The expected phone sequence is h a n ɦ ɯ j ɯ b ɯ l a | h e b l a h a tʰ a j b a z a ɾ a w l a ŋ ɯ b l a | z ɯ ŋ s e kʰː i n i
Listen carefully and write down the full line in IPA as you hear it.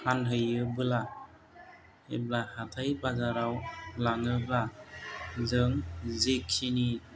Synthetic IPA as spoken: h a n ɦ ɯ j ɯ b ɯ l a | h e b l a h a tʰ a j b a z a ɾ a w l a ŋ ɯ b l a | z ɯ ŋ z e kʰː i n i